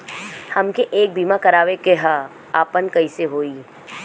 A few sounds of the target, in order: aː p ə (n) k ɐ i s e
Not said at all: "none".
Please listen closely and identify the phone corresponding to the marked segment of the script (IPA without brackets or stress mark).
n